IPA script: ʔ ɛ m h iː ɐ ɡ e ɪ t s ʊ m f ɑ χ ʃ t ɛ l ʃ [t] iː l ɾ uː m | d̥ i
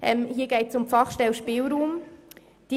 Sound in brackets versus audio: incorrect: p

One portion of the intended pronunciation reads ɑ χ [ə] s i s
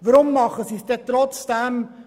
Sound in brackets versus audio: correct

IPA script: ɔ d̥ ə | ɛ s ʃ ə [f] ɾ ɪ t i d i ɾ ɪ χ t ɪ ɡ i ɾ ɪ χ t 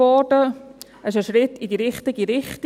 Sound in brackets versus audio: incorrect: ʃ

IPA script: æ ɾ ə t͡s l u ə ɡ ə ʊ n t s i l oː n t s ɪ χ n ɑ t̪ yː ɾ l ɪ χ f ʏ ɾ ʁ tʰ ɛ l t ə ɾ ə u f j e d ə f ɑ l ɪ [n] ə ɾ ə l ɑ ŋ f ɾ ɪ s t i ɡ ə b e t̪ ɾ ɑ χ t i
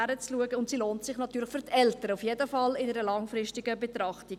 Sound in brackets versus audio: correct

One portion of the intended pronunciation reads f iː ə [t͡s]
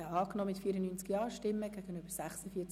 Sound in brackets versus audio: correct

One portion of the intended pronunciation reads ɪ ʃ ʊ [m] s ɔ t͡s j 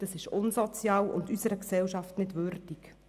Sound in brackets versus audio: incorrect: n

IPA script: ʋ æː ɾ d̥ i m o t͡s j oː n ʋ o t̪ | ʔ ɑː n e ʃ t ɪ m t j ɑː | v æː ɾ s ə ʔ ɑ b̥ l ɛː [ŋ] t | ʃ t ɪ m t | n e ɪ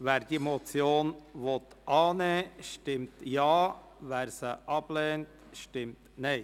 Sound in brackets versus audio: incorrect: n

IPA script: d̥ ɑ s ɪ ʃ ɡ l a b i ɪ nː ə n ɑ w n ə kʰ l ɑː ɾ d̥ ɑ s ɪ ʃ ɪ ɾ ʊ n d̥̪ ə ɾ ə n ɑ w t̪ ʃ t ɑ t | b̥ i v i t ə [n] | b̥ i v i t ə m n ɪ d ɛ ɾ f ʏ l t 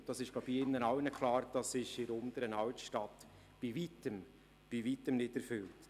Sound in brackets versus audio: incorrect: m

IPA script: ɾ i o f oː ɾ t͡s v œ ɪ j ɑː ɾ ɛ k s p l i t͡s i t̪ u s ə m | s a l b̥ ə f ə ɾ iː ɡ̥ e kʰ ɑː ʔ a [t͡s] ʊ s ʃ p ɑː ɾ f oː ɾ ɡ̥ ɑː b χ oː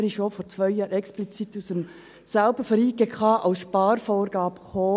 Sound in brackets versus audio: incorrect: none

